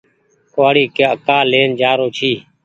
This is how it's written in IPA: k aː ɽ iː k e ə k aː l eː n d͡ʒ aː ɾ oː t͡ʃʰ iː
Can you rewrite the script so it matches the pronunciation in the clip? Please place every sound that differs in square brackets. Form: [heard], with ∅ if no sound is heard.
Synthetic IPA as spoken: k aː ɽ iː k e ə k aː l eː n d͡ʒ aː ɾ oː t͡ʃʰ iː